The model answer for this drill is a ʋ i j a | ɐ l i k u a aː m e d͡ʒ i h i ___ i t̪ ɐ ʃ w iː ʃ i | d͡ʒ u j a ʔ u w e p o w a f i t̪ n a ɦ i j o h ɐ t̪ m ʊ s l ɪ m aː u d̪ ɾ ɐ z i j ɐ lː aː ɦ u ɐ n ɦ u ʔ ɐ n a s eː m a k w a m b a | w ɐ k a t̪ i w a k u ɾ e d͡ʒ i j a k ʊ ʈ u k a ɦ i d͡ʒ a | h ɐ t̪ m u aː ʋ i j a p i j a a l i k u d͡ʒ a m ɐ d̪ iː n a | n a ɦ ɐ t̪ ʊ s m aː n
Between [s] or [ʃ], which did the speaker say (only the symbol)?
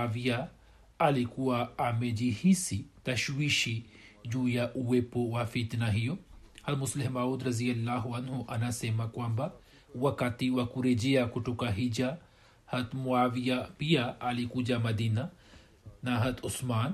s